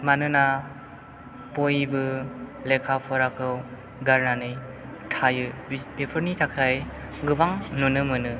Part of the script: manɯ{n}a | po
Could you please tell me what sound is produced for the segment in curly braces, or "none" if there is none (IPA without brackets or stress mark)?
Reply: n